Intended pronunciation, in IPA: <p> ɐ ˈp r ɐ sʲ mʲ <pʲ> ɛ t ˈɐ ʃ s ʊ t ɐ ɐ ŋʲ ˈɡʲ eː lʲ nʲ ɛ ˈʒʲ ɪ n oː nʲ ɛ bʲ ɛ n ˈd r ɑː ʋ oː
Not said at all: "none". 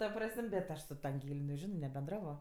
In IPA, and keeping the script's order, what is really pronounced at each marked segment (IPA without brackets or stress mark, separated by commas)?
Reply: t, bʲ